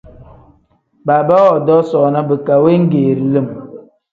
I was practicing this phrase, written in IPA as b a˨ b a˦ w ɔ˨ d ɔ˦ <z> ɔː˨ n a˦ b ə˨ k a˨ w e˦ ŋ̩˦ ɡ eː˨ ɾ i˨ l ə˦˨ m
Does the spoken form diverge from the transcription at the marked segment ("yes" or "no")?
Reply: yes